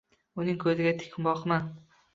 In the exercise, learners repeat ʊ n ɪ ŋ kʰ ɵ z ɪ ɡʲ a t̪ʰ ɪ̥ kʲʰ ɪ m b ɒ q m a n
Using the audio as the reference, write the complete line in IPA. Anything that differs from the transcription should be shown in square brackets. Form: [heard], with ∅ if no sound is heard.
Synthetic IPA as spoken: ʊ n ɪ ŋ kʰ ɵ z ɪ ɡʲ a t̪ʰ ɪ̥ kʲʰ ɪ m b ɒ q m a n